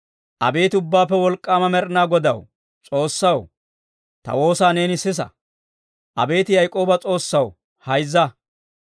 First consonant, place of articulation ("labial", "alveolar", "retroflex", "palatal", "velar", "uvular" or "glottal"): glottal